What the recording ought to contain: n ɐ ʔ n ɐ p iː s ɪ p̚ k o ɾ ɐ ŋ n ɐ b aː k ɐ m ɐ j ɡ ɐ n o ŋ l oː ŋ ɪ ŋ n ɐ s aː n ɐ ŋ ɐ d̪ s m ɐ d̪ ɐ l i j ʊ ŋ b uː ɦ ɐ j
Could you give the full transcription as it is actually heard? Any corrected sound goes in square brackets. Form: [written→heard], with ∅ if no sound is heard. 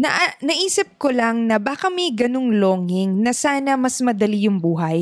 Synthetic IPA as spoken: n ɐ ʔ n ɐ [p→ʔ] iː s ɪ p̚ k o [ɾ→l] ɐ ŋ n ɐ b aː k ɐ m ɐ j ɡ ɐ n o ŋ l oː ŋ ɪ ŋ n ɐ s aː n ɐ [ŋ→m] ɐ [d̪→∅] s m ɐ d̪ ɐ l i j ʊ ŋ b uː ɦ ɐ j